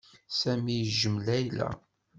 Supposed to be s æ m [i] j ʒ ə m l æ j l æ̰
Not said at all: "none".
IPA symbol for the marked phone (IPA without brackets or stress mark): i